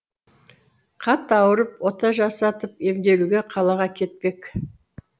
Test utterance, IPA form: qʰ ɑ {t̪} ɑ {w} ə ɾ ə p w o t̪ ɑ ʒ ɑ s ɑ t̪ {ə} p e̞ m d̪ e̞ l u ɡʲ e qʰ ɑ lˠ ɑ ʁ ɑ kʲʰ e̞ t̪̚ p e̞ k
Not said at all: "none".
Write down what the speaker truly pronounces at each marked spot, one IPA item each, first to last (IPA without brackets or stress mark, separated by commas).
t̪, w, ə